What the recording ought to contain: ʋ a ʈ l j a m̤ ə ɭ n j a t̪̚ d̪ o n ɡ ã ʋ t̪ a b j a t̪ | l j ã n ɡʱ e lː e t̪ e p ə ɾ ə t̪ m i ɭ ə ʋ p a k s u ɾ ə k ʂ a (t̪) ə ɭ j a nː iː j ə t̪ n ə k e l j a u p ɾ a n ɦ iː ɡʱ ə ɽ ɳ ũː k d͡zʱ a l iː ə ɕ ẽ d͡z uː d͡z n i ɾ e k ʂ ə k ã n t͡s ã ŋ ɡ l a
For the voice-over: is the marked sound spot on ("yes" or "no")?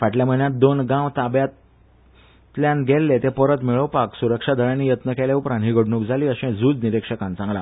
no